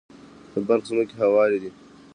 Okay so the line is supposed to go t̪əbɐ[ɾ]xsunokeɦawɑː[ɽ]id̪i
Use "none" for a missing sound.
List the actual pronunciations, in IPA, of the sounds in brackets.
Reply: ɾ, ɾ

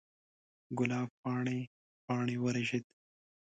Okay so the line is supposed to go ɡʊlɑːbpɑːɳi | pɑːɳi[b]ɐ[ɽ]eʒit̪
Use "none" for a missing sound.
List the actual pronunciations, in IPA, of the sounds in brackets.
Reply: w, ɾ

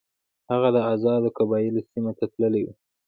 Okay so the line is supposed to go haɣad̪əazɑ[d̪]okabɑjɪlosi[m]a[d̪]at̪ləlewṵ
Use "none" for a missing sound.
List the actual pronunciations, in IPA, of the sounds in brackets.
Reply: d̪, m, t̪

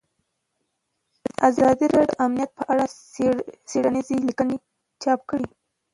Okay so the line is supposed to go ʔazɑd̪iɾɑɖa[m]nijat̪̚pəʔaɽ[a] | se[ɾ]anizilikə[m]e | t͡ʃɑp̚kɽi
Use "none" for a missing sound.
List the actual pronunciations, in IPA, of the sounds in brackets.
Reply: m, a, ɽ, n

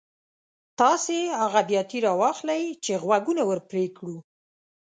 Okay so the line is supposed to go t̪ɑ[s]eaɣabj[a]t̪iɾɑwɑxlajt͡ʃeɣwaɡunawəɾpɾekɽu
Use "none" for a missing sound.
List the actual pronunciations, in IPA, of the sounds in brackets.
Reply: s, ɑ

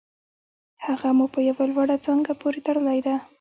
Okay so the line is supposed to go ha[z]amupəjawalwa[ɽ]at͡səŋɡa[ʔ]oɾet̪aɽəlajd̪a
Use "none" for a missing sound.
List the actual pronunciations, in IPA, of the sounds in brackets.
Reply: ɣ, ɽ, p

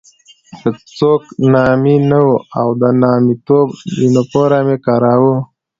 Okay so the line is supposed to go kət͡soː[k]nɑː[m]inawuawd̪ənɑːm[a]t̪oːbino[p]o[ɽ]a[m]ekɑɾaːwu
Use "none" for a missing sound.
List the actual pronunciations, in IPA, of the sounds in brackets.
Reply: k, m, i, p, ɾ, m

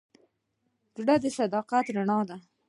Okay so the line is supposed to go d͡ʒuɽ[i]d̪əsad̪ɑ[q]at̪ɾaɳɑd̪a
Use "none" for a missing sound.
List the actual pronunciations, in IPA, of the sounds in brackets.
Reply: a, q

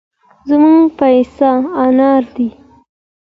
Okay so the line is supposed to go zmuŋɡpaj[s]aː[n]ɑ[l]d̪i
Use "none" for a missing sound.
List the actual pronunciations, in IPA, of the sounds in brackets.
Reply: s, n, ɾ

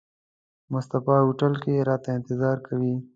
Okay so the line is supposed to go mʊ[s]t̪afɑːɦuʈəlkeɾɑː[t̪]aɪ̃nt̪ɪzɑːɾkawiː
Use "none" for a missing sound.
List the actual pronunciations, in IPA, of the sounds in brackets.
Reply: s, t̪

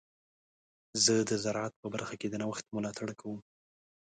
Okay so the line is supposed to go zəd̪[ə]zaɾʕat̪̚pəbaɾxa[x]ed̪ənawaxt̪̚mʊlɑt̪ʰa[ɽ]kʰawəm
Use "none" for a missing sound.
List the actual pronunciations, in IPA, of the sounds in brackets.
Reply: ə, k, ɽ

